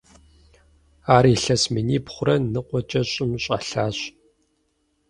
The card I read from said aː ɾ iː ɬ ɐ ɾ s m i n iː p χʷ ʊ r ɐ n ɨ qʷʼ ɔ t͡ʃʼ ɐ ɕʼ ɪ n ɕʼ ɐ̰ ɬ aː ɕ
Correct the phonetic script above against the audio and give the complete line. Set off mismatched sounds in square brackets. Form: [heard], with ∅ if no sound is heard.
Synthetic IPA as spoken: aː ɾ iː ɬ ɐ [∅] s m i n iː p χʷ ʊ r ɐ n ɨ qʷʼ ɔ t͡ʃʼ ɐ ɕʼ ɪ [m] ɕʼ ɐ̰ ɬ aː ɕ